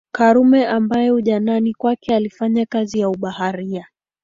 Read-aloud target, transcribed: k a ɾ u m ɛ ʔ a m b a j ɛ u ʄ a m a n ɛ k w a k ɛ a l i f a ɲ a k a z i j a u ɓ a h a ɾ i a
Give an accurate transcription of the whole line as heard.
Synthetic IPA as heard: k a ɾ u m ɛ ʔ a m b a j ɛ u ʄ a n a n i k w a k ɛ a l i f a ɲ a k a z i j a u ɓ a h a ɾ i a